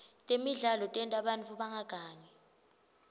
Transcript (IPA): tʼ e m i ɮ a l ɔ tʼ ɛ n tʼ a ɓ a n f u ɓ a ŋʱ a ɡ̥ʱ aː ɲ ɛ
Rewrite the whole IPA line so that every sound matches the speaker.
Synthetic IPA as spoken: tʼ e m i ɮ a l ɔ tʼ ɛ n tʼ a ɓ a n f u ɓ a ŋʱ a ɡ̥ʱ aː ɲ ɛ